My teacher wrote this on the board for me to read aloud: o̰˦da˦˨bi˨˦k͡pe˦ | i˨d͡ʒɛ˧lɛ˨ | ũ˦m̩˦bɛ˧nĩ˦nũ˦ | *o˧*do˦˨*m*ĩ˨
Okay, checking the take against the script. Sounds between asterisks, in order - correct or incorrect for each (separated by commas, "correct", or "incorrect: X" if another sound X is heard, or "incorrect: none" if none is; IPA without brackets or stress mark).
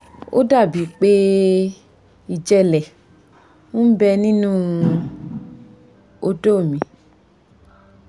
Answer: correct, correct